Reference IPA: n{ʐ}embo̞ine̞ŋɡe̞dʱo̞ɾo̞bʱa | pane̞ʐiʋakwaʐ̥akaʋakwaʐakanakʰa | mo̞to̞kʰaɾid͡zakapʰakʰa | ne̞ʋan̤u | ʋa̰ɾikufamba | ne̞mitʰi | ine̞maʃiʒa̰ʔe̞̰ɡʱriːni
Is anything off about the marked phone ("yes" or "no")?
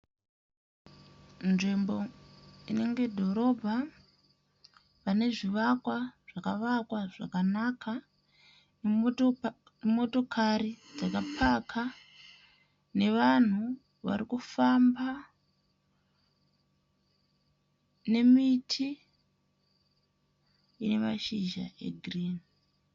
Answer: no